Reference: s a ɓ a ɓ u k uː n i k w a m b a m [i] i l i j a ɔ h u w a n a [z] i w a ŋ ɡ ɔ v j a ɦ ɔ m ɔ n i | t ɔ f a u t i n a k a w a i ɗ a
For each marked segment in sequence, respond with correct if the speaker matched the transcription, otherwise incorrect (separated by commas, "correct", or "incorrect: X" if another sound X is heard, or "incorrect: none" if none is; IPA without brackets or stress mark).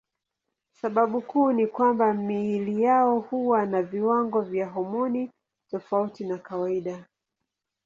correct, incorrect: v